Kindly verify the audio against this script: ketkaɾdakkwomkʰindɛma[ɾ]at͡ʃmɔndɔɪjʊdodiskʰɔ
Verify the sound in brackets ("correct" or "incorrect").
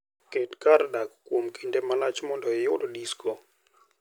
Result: incorrect